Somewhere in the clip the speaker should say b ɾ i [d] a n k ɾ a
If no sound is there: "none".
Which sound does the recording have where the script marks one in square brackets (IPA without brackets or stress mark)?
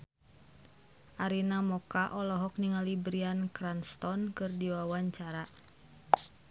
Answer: none